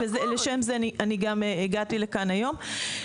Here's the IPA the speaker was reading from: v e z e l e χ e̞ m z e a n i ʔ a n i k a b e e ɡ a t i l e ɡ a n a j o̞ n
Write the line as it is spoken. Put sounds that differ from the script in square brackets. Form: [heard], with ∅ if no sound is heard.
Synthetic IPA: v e z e l e [ʃ] e̞ m z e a n i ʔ a n i [ɡ] a [m] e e ɡ a t i l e [k] a n a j o̞ [m]